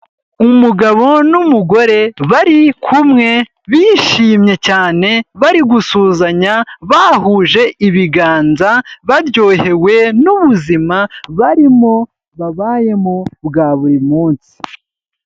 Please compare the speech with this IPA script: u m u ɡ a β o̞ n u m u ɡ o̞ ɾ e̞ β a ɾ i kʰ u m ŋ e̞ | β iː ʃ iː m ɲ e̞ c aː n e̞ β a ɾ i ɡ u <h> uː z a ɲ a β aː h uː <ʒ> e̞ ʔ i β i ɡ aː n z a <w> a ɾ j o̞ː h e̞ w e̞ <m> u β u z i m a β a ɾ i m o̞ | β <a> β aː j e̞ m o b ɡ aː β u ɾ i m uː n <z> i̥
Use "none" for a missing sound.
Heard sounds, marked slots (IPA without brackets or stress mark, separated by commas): s, ʒ, β, n, a, s